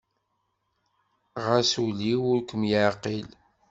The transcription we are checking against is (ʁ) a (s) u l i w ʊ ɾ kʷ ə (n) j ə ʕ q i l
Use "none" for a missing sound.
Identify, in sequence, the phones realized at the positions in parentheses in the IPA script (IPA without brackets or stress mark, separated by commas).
ʁ, s, m